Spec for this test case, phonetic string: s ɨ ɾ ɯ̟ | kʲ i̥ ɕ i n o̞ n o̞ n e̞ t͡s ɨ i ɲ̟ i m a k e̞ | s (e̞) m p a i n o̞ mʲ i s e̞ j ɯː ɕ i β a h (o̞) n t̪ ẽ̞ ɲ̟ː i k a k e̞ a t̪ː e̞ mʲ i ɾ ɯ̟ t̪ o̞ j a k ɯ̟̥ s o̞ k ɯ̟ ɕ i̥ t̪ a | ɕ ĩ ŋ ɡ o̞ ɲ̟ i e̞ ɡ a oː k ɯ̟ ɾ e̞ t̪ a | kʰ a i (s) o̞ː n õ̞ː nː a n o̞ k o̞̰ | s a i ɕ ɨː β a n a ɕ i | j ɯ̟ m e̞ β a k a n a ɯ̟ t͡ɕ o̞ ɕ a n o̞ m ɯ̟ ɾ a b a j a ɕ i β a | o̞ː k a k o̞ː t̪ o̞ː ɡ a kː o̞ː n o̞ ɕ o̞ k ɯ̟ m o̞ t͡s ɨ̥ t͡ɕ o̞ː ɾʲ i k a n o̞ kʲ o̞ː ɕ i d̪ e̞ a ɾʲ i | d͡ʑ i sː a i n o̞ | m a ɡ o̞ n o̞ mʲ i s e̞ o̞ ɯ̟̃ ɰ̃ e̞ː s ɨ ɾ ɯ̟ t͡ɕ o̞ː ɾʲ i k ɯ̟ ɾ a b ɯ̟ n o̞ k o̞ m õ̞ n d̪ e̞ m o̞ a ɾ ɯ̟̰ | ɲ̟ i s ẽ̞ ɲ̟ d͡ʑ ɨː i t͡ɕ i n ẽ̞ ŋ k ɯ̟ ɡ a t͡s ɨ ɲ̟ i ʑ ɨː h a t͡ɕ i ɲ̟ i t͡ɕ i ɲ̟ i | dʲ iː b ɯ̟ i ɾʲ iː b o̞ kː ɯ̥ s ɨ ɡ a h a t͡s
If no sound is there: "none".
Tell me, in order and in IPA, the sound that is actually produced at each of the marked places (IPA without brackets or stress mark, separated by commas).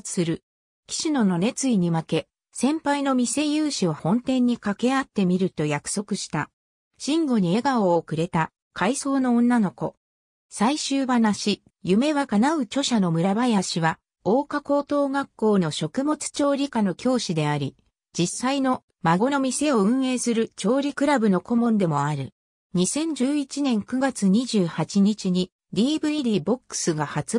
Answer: ẽ̞, õ̞, s